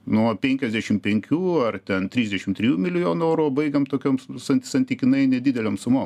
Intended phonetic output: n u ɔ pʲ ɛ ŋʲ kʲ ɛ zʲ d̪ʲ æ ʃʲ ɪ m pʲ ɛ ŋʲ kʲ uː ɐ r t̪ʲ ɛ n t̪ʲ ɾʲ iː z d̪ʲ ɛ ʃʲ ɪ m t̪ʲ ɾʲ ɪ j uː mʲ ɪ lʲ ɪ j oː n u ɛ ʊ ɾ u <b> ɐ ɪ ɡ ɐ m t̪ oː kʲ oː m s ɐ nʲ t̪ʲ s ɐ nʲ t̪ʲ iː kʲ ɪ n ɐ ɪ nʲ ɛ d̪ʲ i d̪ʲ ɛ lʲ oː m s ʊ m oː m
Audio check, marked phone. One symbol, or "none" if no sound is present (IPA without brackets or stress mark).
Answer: b